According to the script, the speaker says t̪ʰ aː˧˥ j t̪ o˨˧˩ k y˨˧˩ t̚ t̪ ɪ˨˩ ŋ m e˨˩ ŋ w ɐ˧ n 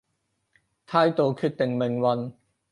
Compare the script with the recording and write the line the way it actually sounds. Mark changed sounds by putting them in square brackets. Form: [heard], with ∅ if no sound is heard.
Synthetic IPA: t̪ʰ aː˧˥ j t̪ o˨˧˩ [kʰ] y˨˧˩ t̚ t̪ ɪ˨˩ ŋ m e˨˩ ŋ w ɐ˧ n